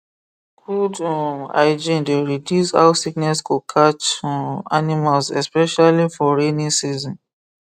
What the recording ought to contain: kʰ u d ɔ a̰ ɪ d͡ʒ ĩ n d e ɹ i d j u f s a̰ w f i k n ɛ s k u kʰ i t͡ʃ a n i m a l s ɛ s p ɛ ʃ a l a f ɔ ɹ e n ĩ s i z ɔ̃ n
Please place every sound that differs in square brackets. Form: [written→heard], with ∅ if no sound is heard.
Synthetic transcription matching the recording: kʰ u d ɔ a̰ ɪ d͡ʒ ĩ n d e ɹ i d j u [f→∅] s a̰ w [f→s] i k n ɛ s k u kʰ [i→a] t͡ʃ a n i m a l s ɛ s p ɛ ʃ a l [a→i] f ɔ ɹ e n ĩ s i z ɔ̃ n